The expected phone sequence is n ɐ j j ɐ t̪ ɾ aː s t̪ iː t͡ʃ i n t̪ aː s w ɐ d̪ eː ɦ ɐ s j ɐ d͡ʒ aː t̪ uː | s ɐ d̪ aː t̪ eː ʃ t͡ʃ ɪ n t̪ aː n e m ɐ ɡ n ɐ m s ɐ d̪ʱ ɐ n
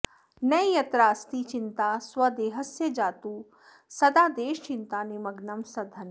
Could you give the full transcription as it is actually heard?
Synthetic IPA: n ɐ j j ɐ t̪ ɾ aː s t̪ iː t͡ʃ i n t̪ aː s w ɐ d̪ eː ɦ ɐ s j ɐ d͡ʒ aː t̪ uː | s ɐ d̪ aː d̪ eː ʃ t͡ʃ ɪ n t̪ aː n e m ɐ ɡ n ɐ m s ɐ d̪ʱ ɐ n